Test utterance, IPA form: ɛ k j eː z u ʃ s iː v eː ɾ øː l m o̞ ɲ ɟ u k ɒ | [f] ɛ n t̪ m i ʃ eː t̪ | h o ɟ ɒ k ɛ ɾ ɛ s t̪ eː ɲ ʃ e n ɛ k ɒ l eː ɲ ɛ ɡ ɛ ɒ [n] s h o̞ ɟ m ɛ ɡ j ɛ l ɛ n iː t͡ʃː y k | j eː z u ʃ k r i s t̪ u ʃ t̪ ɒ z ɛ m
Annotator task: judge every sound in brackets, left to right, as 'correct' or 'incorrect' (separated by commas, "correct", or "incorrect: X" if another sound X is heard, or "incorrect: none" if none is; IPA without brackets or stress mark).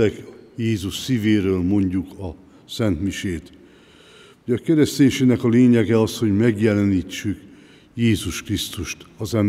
incorrect: s, incorrect: none